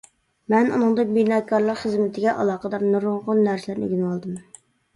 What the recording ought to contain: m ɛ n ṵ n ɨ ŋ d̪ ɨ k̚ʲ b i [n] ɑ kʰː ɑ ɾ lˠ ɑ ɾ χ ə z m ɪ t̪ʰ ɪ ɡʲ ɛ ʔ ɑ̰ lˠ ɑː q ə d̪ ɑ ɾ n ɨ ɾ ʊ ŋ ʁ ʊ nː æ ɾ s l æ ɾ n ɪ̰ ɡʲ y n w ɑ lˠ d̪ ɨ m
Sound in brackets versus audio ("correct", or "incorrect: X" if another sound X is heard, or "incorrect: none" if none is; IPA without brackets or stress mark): correct